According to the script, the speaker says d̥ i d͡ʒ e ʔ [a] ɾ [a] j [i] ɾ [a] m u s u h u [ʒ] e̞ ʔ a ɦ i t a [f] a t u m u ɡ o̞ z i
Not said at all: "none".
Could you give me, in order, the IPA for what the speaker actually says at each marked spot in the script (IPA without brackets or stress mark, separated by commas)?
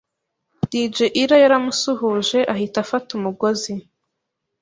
i, a, a, a, ʒ, f